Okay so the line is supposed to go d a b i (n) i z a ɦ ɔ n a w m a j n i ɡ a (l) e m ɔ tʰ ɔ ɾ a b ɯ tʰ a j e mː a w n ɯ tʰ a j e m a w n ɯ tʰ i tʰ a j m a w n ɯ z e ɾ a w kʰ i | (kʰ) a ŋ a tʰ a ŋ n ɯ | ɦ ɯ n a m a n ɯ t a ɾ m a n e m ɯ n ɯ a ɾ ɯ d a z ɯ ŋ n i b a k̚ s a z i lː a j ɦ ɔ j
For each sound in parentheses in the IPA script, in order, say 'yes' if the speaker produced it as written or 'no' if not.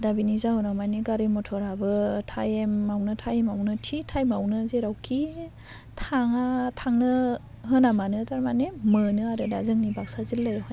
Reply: yes, no, no

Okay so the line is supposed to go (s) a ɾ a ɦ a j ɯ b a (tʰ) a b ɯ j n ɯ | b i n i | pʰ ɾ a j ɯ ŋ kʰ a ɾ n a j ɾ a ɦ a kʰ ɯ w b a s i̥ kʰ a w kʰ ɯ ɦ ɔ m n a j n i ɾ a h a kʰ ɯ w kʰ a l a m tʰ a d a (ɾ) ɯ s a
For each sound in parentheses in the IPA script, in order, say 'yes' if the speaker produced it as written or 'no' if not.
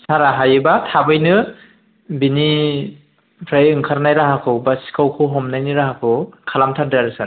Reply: yes, yes, yes

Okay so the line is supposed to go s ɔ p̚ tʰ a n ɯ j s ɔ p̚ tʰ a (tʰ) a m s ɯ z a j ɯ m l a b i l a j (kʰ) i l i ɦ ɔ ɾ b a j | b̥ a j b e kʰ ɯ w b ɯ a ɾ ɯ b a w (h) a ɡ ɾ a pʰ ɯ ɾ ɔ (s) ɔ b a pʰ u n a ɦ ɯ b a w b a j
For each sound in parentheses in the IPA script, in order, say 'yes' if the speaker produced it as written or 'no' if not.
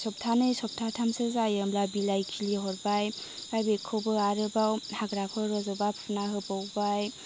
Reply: yes, yes, yes, no

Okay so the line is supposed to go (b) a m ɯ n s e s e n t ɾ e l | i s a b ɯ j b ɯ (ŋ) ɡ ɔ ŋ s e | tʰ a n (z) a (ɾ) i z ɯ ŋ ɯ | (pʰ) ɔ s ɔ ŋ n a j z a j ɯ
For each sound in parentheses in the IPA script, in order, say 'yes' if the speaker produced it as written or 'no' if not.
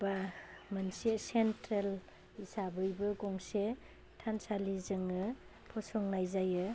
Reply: yes, no, no, no, yes

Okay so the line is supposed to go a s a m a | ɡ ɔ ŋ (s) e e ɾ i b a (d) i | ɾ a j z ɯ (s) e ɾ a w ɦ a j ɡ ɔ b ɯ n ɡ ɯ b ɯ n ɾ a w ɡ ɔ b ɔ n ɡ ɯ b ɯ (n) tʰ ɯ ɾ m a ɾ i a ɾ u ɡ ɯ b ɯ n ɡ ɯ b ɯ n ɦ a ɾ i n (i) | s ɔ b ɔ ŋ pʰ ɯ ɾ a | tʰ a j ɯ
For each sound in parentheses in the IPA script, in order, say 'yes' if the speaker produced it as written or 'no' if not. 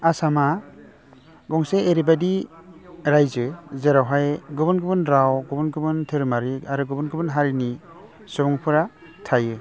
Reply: yes, yes, no, yes, yes

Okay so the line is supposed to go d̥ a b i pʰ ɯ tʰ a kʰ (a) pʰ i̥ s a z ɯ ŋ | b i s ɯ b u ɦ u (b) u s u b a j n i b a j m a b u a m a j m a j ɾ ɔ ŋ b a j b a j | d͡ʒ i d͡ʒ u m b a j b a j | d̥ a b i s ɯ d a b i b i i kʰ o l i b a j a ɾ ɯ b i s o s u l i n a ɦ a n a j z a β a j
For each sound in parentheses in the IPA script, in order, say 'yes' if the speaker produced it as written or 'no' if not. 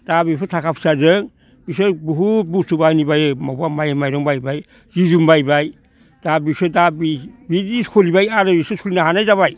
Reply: yes, yes

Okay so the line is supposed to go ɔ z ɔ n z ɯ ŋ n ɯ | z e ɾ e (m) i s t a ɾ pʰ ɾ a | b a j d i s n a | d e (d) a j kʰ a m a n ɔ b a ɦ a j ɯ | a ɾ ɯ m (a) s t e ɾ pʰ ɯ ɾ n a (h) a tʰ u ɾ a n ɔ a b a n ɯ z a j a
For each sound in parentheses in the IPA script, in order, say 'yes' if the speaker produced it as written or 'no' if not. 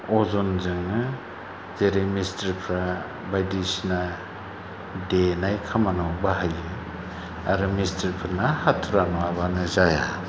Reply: yes, no, no, yes

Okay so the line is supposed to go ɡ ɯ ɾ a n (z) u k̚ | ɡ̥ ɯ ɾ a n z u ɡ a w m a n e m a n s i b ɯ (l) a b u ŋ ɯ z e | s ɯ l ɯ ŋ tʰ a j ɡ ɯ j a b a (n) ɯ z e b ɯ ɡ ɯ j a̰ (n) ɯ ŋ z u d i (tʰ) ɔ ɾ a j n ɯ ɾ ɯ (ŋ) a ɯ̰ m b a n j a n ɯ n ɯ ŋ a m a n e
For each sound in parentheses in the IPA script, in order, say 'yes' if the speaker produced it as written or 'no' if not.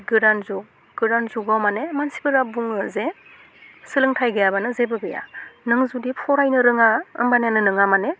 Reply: yes, no, yes, yes, no, yes

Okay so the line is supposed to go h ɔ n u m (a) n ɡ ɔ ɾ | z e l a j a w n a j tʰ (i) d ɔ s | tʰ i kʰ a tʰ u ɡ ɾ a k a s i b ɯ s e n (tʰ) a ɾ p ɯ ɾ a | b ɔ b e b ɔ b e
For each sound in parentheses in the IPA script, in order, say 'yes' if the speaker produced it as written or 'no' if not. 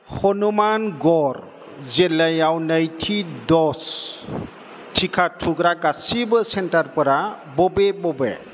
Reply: yes, yes, no

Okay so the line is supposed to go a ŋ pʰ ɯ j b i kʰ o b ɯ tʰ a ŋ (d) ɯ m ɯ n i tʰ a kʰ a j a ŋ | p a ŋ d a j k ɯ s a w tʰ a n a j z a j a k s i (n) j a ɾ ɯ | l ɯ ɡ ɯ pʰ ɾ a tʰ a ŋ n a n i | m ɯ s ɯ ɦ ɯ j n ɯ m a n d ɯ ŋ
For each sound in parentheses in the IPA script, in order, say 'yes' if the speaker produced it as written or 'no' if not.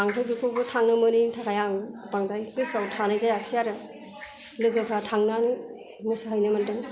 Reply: no, no

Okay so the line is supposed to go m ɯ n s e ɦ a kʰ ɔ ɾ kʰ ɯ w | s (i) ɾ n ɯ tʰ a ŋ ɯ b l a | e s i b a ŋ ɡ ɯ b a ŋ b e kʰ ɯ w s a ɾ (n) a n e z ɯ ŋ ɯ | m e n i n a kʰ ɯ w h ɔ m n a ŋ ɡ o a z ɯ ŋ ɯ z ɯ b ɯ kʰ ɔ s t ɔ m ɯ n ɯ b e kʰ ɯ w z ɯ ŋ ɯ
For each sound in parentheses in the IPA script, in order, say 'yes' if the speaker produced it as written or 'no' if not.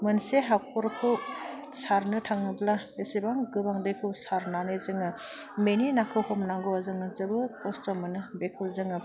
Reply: no, yes

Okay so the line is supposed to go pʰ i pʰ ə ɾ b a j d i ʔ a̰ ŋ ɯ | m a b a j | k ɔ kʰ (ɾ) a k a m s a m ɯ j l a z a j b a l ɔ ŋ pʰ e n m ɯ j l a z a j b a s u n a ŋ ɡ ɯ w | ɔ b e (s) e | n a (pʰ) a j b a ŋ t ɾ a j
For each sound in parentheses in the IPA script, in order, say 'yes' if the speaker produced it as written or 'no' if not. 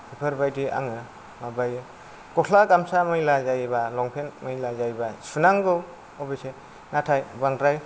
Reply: no, yes, no

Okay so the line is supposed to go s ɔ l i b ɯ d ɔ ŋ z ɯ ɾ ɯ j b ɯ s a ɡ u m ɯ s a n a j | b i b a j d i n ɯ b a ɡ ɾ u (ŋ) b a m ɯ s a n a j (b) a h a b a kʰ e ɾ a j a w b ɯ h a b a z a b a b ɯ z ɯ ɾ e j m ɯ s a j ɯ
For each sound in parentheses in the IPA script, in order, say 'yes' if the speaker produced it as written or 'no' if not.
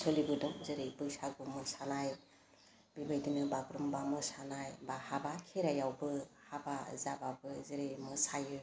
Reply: no, yes

